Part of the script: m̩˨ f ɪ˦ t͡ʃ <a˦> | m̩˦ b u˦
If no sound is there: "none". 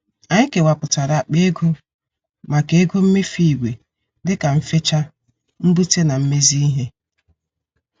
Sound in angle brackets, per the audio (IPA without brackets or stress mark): a˦